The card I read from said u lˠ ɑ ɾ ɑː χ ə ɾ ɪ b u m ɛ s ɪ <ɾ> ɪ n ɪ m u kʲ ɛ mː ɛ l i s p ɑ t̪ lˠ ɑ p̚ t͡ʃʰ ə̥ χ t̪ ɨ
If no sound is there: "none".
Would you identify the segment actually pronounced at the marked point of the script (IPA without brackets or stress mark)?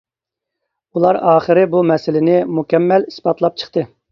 l